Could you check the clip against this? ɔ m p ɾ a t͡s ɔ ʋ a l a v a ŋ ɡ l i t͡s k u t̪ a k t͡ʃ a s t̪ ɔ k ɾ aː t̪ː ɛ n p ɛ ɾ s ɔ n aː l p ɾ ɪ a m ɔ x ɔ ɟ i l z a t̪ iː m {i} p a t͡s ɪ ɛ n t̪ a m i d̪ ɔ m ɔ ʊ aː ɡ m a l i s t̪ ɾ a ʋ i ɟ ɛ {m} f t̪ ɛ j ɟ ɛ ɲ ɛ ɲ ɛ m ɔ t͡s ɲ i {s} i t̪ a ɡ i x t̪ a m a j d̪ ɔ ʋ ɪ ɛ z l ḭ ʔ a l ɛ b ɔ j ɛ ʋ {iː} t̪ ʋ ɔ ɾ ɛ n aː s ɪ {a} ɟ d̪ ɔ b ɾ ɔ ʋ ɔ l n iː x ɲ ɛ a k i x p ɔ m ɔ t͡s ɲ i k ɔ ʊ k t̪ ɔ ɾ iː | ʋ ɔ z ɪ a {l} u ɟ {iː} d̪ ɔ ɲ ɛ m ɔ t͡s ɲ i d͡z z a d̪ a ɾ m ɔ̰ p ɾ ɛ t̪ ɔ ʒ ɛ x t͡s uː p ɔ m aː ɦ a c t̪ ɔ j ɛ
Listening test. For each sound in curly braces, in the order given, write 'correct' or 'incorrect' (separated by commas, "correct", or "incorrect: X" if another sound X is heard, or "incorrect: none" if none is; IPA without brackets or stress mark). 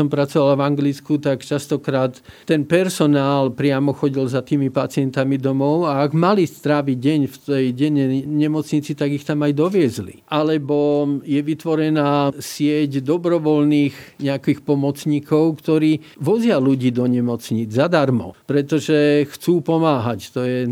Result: correct, incorrect: ɲ, incorrect: t͡s, incorrect: i, incorrect: ɛ, correct, correct